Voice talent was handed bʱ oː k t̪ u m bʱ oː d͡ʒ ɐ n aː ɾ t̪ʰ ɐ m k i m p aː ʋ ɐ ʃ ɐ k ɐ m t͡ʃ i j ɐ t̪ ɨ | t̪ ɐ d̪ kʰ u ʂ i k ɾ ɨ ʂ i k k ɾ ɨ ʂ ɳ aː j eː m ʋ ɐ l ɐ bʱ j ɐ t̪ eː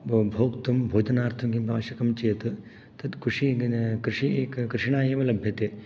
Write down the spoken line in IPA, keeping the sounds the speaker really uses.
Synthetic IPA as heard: bʱ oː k t̪ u m bʱ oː d͡ʒ ɐ n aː ɾ t̪ʰ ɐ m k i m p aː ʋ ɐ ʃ ɐ k ɐ m t͡ʃ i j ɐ t̪ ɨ | t̪ ɐ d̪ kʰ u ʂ i k ɾ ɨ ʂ i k k ɾ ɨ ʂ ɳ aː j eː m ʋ ɐ l ɐ bʱ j ɐ t̪ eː